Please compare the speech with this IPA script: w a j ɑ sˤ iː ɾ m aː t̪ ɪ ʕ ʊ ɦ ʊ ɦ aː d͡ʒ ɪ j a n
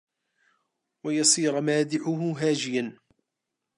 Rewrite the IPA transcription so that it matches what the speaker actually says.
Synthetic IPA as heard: w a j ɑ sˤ iː ɾ m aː d̪ ɪ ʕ ʊ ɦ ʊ ɦ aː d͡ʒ ɪ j a n